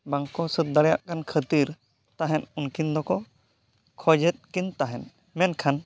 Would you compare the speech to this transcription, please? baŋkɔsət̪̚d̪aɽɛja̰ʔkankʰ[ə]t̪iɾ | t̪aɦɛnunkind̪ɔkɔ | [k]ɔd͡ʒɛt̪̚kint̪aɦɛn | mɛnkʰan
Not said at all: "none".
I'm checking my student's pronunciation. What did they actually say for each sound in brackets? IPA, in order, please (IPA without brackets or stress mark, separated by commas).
ə, kʰ